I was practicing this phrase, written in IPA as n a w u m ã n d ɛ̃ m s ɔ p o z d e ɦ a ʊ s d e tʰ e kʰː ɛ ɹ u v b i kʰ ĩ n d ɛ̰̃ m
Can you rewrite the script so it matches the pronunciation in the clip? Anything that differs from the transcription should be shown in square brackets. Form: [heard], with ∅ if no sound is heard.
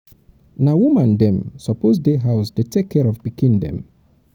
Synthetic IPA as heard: n a w u m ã n d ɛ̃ m s ɔ p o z d e ɦ a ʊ s d e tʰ e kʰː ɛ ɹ [ɔ] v b i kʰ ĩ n d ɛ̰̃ m